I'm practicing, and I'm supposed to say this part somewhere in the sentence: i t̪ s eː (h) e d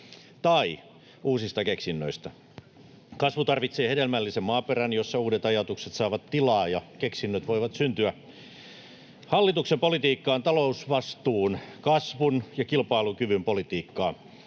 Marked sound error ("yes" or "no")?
no